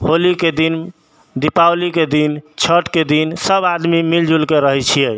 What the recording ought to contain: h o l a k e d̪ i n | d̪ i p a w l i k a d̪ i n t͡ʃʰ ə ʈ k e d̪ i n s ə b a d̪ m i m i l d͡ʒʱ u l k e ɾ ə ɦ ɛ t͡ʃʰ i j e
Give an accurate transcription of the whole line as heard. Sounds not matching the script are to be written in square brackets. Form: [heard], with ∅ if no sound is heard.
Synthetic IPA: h o l [i] k e d̪ i n | d̪ i p a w l i k [e] d̪ i n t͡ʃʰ ə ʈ k e d̪ i n s ə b a d̪ m i m i l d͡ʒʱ u l k e ɾ ə ɦ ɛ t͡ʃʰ i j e